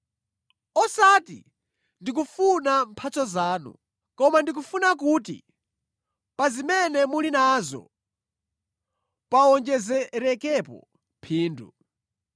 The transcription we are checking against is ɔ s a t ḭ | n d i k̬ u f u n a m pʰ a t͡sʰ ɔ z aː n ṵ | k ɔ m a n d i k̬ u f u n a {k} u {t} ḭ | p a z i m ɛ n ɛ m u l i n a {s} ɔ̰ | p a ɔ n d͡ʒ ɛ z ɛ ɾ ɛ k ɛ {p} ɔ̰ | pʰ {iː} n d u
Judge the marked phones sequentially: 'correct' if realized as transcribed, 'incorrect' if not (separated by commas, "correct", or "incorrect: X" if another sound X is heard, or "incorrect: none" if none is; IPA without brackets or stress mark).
correct, correct, incorrect: z, correct, correct